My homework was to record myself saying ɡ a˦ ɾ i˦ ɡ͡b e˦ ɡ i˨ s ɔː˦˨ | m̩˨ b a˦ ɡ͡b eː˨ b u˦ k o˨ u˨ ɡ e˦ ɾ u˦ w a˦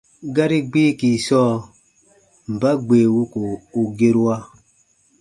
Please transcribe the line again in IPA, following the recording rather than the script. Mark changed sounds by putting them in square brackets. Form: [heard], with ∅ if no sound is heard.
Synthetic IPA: ɡ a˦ ɾ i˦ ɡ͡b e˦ [k] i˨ s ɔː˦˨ | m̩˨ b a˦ ɡ͡b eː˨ [w] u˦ k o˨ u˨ ɡ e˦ ɾ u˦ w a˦